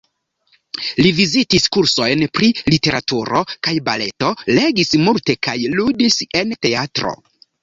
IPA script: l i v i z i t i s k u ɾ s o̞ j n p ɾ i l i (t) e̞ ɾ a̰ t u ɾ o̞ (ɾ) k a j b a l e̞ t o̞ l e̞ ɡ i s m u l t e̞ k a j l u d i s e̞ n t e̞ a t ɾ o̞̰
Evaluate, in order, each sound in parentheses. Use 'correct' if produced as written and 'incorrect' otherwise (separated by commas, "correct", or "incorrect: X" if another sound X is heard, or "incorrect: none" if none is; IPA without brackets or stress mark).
correct, incorrect: none